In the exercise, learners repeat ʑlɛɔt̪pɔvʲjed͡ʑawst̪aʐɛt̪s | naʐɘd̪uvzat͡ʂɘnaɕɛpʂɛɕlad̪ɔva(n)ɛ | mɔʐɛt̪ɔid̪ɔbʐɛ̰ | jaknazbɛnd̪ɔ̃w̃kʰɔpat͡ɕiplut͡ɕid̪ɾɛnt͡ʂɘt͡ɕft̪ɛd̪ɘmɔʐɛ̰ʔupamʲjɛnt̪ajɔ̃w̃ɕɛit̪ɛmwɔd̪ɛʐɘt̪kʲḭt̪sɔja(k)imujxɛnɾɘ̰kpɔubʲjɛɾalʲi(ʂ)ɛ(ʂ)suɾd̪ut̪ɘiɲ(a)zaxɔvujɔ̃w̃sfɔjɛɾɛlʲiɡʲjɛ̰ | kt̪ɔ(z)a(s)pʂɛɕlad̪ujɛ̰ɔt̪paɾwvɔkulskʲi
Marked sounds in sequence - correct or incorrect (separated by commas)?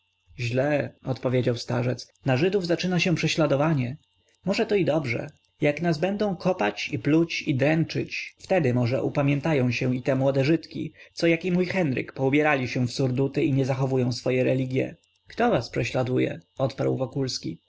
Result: incorrect, correct, incorrect, incorrect, incorrect, incorrect, correct